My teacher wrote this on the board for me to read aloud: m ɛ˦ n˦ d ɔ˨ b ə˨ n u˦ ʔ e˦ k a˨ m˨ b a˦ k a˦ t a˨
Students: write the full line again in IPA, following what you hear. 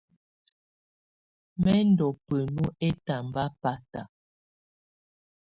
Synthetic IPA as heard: m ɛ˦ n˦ d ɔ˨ p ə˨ n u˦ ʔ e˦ t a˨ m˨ b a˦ p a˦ t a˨